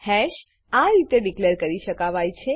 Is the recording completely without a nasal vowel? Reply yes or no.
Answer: yes